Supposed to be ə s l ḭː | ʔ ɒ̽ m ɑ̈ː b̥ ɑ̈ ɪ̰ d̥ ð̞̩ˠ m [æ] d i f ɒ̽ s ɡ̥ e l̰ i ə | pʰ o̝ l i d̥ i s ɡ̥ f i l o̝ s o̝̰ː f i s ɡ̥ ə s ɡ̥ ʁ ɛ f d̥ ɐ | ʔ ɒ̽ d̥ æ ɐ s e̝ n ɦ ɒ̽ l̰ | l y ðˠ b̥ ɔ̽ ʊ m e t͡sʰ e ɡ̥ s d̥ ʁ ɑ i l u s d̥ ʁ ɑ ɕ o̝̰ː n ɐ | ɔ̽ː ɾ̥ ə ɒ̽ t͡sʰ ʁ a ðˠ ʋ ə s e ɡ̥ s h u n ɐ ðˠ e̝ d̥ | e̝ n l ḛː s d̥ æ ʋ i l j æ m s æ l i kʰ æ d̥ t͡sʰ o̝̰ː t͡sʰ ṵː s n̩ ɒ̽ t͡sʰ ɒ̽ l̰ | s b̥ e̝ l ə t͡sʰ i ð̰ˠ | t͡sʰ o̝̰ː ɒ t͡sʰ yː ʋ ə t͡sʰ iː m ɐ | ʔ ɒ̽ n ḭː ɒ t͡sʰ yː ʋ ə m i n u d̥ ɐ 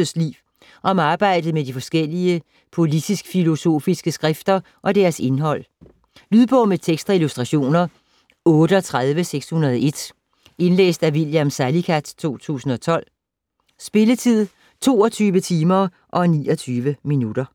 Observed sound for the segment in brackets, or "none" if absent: e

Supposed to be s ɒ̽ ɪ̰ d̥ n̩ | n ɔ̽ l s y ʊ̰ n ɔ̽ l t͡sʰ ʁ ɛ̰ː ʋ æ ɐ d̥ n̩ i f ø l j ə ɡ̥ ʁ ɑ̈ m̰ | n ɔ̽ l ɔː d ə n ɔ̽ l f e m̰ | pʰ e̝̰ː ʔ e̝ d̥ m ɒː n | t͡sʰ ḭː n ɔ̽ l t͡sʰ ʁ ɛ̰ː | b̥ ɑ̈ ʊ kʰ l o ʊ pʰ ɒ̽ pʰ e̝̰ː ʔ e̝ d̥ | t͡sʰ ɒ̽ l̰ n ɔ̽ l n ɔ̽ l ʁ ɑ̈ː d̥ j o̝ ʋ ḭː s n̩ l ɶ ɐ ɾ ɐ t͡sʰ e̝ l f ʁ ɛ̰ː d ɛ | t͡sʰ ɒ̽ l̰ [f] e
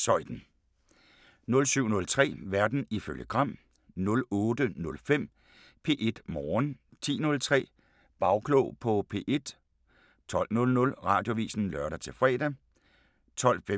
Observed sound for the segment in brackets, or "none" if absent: f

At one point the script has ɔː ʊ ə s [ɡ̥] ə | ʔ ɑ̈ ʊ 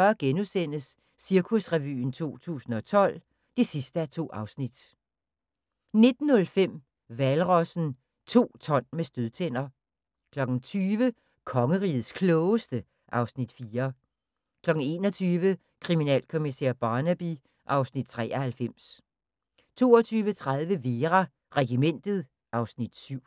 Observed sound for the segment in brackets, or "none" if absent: d̥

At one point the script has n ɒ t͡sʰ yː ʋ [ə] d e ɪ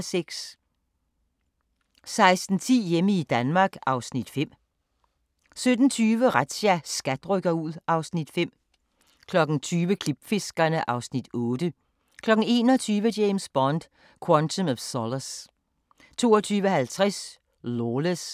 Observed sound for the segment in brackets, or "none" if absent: ə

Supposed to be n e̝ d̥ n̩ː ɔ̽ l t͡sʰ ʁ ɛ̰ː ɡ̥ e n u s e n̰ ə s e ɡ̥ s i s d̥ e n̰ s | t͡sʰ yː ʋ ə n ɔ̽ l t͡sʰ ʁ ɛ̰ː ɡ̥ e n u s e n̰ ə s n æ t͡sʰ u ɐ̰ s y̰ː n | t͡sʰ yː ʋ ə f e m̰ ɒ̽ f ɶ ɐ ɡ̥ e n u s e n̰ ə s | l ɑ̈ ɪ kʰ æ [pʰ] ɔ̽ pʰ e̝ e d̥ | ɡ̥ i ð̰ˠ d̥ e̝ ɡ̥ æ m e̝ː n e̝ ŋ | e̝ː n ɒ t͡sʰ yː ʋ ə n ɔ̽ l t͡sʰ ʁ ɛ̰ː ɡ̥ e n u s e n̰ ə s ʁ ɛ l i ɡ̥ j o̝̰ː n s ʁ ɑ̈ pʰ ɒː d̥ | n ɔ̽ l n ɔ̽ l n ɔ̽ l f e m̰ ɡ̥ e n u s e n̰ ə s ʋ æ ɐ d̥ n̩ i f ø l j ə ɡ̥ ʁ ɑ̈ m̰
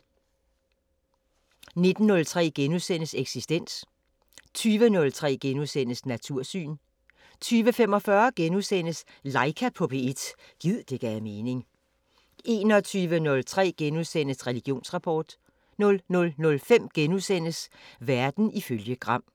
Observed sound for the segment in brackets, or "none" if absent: pʰ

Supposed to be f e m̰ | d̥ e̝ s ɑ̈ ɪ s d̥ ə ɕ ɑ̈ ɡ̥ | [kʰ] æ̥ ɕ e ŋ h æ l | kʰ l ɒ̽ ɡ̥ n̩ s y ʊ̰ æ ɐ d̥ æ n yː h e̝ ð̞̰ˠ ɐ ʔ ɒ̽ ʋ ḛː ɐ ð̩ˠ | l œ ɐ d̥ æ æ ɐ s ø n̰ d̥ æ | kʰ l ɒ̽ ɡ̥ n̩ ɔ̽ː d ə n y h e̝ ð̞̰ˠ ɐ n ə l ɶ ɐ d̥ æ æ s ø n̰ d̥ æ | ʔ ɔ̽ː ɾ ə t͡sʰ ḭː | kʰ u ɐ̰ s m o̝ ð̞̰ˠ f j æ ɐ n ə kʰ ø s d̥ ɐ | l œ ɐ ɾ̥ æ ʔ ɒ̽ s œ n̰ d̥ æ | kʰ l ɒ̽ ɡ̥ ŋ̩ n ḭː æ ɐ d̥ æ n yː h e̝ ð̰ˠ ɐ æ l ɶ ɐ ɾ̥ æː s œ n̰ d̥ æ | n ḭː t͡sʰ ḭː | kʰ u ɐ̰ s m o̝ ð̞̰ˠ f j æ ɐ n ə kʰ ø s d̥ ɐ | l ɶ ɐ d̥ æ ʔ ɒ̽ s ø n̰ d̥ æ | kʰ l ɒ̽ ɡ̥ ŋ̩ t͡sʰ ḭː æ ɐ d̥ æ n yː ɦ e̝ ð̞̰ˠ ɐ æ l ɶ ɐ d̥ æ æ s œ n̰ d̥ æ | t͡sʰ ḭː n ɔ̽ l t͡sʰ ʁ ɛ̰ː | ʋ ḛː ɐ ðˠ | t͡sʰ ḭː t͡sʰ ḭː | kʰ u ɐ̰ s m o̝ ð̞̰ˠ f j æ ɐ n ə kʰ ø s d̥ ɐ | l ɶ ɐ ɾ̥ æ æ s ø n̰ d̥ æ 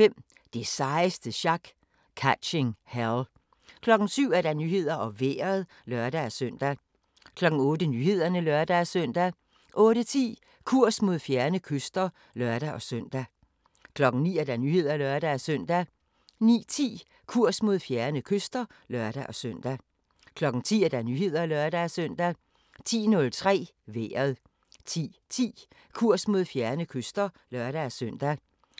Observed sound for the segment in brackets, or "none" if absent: kʰ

